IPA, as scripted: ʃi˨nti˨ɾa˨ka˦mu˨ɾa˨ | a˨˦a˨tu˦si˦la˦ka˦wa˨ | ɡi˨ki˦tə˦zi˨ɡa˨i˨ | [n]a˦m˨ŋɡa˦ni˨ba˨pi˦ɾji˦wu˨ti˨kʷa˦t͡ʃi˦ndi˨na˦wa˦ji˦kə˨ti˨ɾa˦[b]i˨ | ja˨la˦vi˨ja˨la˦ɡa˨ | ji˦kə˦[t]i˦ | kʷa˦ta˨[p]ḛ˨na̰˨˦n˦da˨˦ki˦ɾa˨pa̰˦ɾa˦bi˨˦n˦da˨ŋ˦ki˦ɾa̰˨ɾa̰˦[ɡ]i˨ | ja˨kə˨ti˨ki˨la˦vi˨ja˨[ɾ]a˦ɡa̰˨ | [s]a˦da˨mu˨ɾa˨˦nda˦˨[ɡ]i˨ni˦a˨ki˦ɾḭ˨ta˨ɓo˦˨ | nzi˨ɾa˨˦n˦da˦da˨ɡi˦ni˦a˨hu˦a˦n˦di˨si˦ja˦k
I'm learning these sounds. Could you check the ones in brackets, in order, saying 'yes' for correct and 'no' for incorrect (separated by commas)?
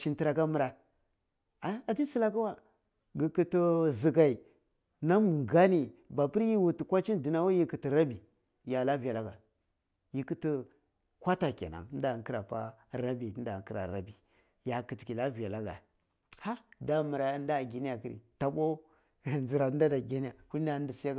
yes, yes, yes, no, no, no, no, yes